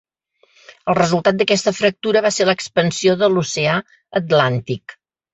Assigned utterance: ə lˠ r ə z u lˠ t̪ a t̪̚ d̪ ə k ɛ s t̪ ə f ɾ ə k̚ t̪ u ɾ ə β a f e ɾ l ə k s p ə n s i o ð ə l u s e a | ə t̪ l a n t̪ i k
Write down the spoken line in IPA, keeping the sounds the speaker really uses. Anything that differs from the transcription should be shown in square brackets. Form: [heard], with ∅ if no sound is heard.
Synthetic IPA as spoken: ə lˠ r ə z u lˠ t̪ a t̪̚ d̪ ə k ɛ s t̪ ə f ɾ ə k̚ t̪ u ɾ ə β a [s] e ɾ l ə k s p ə n s i o ð ə l u s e a | ə t̪ l a n t̪ i k